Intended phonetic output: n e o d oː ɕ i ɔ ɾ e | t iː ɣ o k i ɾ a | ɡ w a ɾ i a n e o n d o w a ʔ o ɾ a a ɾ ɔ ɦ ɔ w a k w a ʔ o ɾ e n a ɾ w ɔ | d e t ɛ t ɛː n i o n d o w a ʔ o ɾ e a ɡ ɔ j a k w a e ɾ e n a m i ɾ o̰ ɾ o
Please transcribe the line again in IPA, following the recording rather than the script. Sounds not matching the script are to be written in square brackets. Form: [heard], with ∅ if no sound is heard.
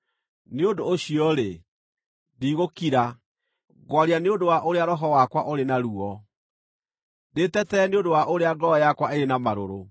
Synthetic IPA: n e o d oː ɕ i ɔ ɾ e | [d] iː ɣ o k i ɾ a | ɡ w a ɾ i a n e o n d o w a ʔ o ɾ [e] a ɾ ɔ ɦ ɔ w a k w a ʔ o ɾ e n a ɾ [u] ɔ | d e t ɛ t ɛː n [e] o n d o w a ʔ o ɾ e a ɡ ɔ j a k w a e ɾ e n a m [a] ɾ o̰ ɾ o